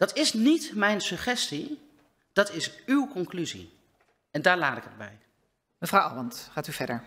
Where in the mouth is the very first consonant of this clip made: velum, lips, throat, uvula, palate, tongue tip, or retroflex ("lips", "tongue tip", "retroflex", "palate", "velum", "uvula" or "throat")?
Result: tongue tip